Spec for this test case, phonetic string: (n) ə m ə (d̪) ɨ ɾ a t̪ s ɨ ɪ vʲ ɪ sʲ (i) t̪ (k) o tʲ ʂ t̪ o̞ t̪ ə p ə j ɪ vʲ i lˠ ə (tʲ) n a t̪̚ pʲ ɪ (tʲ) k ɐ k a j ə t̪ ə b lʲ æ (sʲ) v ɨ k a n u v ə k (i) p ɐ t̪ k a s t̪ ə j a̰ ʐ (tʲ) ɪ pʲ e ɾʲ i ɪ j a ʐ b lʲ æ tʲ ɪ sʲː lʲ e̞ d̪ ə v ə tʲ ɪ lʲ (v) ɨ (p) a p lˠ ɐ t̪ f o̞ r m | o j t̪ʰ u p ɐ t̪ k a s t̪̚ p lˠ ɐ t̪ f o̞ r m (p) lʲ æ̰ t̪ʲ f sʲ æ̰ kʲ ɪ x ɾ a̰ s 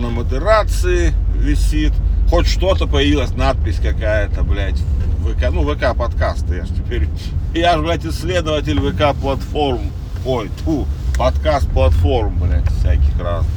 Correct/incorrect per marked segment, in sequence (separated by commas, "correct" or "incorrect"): correct, correct, correct, incorrect, incorrect, incorrect, incorrect, incorrect, correct, correct, incorrect, incorrect